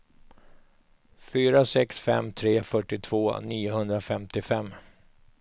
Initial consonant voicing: voiceless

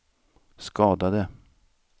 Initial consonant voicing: voiceless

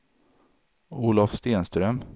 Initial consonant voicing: voiced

